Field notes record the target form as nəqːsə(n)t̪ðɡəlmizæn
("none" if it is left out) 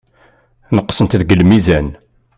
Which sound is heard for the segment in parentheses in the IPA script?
n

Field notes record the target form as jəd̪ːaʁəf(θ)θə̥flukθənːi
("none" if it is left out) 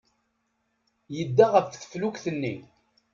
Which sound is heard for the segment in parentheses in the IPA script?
θ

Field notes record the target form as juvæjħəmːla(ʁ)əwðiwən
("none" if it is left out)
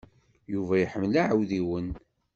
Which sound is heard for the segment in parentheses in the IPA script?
ʕ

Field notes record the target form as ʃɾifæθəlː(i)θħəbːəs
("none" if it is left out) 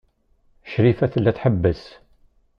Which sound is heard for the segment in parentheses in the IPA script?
æ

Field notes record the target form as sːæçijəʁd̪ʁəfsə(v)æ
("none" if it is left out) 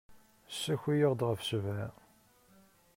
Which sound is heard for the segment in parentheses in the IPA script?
v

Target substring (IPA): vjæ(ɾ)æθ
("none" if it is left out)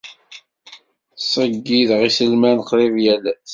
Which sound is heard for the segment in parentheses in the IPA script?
l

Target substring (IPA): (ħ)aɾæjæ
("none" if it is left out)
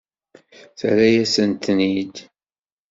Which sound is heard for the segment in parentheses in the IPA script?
θ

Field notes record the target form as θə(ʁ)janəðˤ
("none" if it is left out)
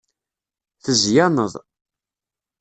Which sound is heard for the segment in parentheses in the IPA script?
z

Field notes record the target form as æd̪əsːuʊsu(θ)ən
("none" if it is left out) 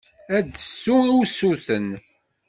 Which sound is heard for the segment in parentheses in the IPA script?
θ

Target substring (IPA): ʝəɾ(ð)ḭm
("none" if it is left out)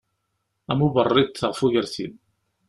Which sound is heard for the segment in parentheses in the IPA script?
θ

